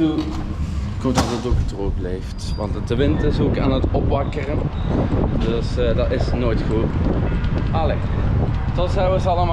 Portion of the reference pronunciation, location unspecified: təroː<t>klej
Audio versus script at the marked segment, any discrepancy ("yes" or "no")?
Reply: yes